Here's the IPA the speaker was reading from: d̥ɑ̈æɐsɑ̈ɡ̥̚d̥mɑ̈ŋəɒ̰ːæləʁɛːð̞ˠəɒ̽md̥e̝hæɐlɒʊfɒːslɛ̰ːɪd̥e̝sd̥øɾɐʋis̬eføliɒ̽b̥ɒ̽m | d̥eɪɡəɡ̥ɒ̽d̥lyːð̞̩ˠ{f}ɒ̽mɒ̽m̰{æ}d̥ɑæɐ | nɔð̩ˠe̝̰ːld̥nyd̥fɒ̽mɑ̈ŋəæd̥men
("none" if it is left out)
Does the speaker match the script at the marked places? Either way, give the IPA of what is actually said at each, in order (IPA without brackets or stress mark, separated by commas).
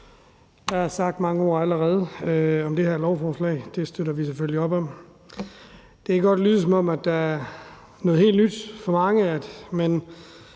s, æ